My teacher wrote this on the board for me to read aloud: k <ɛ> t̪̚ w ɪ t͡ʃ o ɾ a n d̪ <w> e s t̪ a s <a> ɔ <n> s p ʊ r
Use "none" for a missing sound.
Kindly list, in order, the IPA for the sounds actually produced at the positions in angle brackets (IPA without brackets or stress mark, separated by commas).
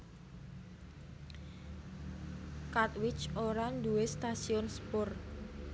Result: a, u, i, n